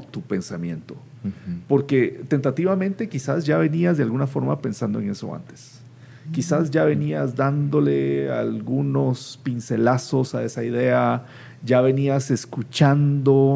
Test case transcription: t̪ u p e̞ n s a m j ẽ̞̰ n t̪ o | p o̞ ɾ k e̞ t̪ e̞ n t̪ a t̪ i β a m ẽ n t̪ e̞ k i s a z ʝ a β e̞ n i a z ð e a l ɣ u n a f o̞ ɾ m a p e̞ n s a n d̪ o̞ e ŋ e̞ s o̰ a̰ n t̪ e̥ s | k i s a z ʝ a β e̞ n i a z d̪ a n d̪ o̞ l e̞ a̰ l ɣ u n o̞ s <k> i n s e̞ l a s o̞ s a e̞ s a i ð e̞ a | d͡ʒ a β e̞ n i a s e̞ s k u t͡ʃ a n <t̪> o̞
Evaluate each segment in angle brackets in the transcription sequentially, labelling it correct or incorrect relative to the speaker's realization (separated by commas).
incorrect, incorrect